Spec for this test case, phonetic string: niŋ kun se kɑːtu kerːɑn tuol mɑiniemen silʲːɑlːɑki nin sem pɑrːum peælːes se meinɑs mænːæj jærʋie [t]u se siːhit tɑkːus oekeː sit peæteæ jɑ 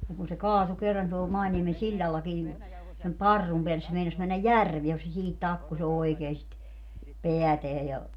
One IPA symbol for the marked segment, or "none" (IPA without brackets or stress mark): k